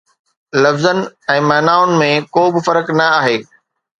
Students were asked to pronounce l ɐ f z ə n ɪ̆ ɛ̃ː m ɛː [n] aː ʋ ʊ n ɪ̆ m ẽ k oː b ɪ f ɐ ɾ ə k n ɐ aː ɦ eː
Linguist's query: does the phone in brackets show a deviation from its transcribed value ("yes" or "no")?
no